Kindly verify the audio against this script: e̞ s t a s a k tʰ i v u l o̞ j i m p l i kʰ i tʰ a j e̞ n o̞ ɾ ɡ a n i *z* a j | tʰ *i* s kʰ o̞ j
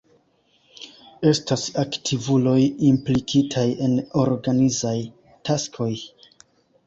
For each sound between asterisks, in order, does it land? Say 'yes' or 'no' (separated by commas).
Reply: yes, no